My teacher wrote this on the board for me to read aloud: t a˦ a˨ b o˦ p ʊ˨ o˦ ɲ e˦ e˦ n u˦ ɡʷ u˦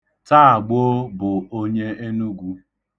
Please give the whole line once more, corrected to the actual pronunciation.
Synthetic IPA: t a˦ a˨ ɡ͡b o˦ b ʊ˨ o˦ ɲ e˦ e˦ n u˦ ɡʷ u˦